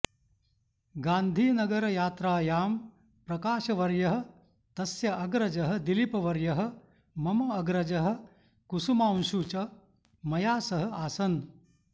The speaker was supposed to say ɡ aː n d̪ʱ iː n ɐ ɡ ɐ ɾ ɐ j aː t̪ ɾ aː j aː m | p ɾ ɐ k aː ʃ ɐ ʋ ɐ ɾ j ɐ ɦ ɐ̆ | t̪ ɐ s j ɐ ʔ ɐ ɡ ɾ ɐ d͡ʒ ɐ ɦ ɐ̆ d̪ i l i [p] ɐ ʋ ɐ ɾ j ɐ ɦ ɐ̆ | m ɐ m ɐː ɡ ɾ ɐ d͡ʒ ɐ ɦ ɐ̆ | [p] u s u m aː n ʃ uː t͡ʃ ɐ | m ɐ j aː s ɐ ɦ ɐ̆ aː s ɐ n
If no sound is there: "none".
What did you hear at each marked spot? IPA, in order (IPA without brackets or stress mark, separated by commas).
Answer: p, k